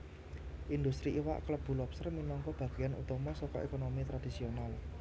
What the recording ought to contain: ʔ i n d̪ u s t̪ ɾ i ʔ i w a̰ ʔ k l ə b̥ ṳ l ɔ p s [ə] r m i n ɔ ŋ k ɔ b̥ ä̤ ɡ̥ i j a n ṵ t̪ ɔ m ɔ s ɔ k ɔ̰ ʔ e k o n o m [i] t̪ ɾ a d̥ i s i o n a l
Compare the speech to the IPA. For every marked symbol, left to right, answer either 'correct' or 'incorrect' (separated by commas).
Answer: correct, correct